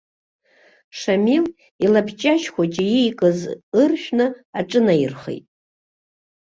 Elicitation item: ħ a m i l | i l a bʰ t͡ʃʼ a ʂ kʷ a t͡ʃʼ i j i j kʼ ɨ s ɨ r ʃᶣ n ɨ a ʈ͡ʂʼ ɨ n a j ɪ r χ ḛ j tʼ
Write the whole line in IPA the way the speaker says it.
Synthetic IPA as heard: ʂ a m i l | i l a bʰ t͡ʃʼ a ʃ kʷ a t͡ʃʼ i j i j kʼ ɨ z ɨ r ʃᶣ n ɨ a ʈ͡ʂʼ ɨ n a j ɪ r χ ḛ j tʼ